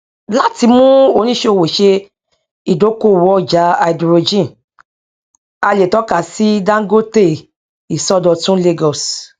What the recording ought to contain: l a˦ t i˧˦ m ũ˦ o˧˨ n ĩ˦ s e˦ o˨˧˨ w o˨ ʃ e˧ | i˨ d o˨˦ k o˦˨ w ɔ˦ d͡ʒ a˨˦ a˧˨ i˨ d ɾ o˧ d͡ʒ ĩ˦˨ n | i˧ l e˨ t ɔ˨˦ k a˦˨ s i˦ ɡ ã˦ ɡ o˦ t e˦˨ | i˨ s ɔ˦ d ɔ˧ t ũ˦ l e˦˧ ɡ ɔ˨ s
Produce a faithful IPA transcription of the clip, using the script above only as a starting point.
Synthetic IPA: l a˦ t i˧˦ m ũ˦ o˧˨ n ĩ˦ ʃ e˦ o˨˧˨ w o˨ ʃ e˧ | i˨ d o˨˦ k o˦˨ w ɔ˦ d͡ʒ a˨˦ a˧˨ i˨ d ɾ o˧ d͡ʒ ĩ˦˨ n | a˧ l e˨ t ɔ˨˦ k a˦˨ s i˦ d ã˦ ɡ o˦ t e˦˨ | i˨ s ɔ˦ d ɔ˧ t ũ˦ l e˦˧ ɡ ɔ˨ s